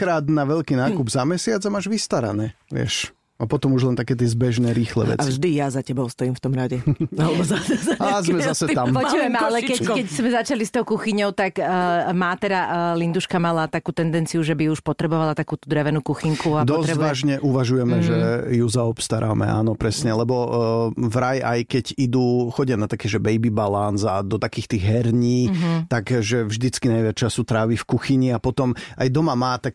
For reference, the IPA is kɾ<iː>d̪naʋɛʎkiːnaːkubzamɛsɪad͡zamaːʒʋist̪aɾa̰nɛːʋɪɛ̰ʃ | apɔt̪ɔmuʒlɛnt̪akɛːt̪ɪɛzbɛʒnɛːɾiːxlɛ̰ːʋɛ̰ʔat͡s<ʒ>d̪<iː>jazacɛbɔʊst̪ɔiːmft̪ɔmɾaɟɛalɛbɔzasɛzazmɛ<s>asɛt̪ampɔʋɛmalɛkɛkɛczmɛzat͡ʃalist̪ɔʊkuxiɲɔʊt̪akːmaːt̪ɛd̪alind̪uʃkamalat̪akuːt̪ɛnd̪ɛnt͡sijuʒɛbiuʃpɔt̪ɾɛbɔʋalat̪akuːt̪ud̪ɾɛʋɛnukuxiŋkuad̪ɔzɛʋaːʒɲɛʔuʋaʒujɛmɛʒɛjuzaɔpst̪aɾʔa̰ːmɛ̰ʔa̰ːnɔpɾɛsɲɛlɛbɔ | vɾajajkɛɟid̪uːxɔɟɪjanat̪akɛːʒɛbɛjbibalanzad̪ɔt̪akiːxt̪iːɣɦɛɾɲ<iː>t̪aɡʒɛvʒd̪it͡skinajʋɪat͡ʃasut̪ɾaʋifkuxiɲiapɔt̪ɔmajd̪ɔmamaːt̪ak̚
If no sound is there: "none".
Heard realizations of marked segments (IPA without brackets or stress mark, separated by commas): aː, ʒ, i, z, iː